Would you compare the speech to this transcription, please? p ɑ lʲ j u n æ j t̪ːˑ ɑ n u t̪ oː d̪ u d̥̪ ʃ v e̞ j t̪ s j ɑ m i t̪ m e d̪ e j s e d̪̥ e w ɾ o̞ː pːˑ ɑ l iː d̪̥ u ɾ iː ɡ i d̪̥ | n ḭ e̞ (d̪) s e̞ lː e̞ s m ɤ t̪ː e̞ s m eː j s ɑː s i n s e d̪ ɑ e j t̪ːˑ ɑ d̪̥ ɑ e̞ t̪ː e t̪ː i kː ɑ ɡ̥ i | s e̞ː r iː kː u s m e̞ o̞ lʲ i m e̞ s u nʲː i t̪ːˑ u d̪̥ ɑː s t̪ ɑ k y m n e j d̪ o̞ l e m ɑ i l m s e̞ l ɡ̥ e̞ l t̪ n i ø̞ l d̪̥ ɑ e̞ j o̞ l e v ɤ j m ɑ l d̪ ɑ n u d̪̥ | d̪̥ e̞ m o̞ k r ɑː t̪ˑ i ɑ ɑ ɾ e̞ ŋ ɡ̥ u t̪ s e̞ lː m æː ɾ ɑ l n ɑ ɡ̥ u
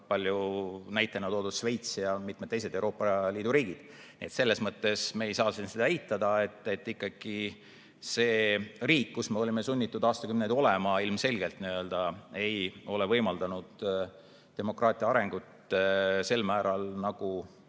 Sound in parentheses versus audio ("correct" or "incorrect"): incorrect